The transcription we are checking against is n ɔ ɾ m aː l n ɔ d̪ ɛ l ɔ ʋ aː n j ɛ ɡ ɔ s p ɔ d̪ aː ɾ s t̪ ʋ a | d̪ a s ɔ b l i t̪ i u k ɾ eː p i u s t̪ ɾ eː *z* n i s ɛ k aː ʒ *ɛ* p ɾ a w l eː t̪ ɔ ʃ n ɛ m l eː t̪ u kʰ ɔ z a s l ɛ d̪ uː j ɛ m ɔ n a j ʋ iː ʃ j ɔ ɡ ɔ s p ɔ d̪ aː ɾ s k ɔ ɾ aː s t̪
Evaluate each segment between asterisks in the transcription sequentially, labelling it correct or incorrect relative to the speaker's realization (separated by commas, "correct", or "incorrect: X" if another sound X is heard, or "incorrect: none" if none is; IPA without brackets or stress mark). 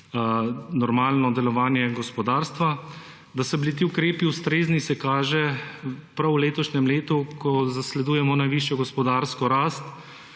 correct, correct